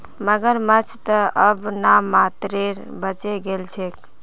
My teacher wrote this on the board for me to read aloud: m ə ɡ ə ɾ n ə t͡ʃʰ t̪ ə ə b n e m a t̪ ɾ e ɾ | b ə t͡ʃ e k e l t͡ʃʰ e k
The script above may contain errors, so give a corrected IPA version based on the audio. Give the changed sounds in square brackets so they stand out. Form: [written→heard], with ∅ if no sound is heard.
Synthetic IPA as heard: m ə ɡ ə ɾ [n→m] ə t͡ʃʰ t̪ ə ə b n [e→a] m a t̪ ɾ e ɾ | b ə t͡ʃ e [k→ɡ] e l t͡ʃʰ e k